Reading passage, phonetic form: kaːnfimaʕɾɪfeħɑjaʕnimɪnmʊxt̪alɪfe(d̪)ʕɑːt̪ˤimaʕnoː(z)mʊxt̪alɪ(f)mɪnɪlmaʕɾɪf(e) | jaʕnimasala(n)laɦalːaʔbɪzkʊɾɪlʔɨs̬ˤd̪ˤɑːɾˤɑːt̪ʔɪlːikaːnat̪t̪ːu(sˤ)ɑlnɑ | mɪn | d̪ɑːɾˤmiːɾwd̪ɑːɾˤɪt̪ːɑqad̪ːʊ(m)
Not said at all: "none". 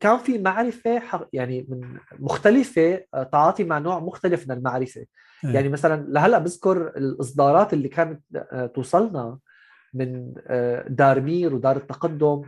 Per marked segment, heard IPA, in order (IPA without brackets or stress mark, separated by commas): t̪, ʕ, f, e, n, sˤ, m